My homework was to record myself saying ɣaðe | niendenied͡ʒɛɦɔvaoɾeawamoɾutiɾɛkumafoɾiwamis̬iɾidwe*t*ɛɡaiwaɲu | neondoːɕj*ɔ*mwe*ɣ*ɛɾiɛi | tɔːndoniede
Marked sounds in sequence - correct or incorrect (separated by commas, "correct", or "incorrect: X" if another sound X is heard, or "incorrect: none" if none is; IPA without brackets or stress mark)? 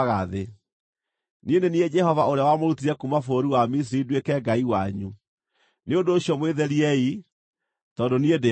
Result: incorrect: k, correct, incorrect: ð